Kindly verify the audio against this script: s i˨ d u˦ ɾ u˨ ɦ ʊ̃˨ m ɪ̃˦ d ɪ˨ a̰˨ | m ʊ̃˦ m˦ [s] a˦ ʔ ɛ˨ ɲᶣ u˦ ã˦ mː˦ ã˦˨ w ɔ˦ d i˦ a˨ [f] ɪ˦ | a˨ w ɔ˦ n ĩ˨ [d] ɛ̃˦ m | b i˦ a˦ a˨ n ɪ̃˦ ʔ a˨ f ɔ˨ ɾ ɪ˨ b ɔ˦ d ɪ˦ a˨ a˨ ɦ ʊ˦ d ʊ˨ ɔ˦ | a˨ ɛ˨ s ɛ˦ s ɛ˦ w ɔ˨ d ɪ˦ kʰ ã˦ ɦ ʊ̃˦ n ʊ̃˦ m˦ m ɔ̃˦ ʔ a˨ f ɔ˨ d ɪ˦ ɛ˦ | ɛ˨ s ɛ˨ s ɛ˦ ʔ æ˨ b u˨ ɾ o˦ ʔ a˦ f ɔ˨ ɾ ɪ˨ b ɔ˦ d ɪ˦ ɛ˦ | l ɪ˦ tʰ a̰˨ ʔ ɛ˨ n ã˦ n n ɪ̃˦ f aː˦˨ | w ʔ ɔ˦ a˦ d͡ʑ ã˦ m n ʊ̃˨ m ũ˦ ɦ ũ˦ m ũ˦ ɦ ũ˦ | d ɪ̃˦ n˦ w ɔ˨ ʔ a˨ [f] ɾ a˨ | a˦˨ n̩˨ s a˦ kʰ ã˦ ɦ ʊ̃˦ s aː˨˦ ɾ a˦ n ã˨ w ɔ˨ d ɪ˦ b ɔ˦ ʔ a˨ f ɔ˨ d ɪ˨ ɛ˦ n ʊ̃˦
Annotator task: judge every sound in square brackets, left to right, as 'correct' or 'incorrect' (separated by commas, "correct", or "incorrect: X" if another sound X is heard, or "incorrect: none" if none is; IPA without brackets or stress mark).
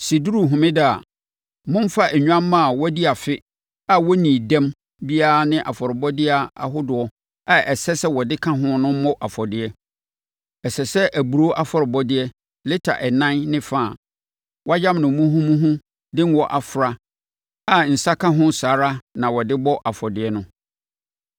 incorrect: f, correct, correct, correct